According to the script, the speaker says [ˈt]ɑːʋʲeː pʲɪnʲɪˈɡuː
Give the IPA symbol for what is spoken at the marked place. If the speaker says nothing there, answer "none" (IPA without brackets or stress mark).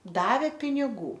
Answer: d